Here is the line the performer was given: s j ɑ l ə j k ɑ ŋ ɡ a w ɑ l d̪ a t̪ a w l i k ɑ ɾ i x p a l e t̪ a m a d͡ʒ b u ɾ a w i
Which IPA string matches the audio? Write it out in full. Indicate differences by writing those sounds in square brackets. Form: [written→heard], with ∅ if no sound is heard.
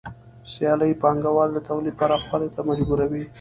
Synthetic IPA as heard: s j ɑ l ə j [k→p] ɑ ŋ ɡ a w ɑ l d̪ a t̪ a w l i [k→p] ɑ ɾ [i→a] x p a l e t̪ a m a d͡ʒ b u ɾ a w i